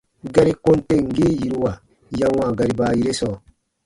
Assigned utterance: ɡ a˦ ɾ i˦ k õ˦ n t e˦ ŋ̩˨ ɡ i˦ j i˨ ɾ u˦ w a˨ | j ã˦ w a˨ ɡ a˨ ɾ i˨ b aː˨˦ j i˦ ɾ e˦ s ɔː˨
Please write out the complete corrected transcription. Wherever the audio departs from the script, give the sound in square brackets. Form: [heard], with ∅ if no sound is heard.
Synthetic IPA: ɡ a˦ ɾ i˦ k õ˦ n t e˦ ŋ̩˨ ɡ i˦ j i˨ ɾ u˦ w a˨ | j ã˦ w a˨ ɡ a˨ ɾ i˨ b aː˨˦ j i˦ ɾ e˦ s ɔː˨